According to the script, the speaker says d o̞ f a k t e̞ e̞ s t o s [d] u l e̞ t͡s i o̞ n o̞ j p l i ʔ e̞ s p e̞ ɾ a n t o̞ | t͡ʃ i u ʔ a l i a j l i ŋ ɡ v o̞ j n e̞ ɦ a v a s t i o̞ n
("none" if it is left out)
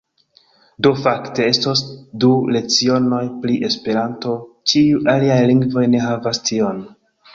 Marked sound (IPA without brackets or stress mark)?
d